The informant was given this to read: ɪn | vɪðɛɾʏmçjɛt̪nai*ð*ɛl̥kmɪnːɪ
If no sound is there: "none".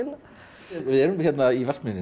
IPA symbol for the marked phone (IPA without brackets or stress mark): v